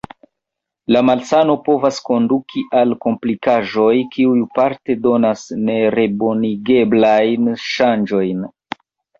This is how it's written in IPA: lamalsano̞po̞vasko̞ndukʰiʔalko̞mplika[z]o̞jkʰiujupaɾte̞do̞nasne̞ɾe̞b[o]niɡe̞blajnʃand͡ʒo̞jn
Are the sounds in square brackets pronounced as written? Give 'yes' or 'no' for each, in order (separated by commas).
no, yes